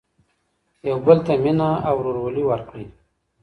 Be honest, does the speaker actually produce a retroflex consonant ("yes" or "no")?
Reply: yes